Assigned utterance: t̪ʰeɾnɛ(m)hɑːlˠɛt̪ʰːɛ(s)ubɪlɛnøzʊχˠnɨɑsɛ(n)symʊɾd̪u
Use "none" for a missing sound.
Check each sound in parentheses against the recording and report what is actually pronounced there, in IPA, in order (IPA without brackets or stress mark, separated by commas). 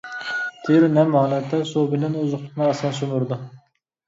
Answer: m, s, n